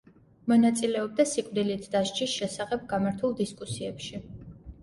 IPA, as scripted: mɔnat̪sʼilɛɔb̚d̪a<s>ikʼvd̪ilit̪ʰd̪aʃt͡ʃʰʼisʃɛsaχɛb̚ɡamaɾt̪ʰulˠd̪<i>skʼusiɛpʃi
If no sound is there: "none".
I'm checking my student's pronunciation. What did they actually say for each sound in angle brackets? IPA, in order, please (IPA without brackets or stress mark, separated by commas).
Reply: s, i